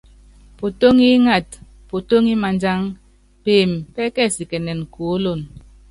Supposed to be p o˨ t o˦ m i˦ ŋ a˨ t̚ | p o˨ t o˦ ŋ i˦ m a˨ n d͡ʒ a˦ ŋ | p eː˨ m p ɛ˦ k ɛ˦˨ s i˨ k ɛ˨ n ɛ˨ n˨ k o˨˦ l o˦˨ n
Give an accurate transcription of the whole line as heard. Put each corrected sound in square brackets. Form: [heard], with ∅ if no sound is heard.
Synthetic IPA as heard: p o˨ t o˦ [ŋ] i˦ ŋ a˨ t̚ | p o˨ t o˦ ŋ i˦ m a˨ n d͡ʒ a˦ ŋ | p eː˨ m p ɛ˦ k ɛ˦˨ s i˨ k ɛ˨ n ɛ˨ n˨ k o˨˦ l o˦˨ n

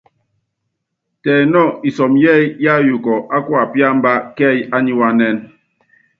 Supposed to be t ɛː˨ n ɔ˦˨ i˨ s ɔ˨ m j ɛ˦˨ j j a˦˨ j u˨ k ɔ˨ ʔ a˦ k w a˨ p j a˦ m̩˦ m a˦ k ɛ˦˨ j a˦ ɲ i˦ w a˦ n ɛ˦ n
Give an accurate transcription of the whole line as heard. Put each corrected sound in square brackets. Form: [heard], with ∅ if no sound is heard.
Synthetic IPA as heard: t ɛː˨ n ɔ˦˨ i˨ s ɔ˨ m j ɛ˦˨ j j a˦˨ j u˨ k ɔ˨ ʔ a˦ k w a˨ p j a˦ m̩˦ [b] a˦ k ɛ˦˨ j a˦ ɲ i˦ w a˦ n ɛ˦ n

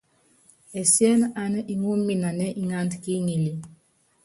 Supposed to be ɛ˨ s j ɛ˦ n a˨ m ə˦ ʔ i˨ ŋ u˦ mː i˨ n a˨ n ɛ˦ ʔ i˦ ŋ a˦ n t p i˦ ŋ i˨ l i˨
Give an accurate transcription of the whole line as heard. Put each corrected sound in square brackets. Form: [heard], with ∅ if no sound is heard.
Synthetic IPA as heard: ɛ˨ s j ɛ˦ n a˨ [n] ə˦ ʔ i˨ ŋ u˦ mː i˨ n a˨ n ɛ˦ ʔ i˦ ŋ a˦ n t [k] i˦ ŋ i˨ l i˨

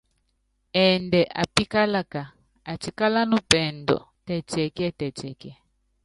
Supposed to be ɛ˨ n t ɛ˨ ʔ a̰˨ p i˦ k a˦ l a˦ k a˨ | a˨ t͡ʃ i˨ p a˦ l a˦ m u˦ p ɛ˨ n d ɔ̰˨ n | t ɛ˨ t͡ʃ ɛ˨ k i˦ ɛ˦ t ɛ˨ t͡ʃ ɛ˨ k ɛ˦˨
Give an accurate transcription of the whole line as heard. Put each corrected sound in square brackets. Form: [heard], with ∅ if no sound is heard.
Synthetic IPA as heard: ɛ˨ n [d] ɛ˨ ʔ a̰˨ p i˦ k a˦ l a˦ k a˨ | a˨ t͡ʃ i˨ [k] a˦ l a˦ [n] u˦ p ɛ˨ n d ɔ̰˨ [∅] | t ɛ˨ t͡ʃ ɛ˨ k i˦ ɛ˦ t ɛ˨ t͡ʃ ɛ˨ k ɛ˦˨

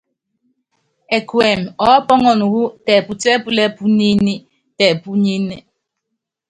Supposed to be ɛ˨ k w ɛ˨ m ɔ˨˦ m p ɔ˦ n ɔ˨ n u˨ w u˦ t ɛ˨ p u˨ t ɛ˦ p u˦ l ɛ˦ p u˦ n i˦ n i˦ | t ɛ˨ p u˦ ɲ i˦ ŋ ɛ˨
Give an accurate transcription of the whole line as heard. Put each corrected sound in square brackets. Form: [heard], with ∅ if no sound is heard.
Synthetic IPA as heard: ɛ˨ k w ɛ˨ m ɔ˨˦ [∅] p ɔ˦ [ŋ] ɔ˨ n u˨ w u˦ t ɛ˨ p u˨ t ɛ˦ p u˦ l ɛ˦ p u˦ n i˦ n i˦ | t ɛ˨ p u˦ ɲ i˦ [n] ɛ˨

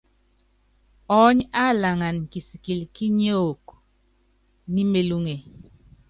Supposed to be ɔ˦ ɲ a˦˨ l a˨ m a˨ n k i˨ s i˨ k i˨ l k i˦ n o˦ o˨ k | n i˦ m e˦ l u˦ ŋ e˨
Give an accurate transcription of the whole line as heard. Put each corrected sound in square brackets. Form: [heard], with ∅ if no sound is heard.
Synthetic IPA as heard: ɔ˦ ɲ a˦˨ l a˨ [ŋ] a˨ n k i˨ s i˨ k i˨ l k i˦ [ɲ] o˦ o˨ k | n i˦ m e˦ l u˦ ŋ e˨

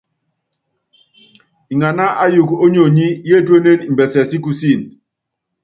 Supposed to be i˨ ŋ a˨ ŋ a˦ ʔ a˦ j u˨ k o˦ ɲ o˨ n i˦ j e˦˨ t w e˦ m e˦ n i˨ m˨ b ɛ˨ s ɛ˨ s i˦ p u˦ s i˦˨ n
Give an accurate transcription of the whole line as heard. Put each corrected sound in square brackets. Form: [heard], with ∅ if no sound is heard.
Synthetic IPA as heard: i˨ ŋ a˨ [n] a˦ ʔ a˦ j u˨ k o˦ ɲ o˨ [ɲ] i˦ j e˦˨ t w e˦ [n] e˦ n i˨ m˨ b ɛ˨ s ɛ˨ s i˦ [k] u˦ s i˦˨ n

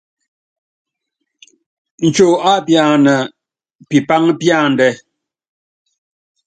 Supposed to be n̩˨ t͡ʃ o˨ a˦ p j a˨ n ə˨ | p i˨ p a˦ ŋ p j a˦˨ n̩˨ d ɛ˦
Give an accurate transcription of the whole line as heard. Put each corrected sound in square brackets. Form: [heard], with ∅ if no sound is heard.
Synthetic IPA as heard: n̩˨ t͡ʃ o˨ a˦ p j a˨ n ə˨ | p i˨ p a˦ ŋ p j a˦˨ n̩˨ d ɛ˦

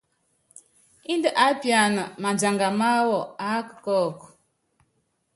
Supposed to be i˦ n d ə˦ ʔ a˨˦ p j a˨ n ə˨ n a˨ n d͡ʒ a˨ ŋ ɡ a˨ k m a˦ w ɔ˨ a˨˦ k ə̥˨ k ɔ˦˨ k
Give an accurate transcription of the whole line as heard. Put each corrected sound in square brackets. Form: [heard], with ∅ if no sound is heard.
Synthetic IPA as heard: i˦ n d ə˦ ʔ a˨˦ p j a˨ n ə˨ [m] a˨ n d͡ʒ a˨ ŋ ɡ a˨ [∅] m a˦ w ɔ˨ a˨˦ k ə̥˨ k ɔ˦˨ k

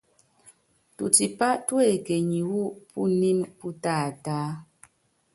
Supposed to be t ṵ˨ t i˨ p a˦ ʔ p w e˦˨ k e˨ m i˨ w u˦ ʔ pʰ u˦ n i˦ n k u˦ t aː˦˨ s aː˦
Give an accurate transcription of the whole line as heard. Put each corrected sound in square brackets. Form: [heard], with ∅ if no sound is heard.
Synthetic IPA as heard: t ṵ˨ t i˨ p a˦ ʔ [t] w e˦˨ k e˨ [ɲ] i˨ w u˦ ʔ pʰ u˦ n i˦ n [p] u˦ t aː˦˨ [t] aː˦

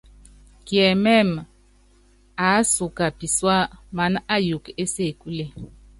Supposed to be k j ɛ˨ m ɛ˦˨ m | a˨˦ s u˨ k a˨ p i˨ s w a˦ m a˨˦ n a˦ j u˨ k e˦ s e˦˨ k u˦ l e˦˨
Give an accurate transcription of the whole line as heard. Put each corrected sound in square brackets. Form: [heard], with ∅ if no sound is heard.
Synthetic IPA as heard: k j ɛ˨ m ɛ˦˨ m | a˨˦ s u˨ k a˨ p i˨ s w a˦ m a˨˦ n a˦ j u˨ k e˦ s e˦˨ k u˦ l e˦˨

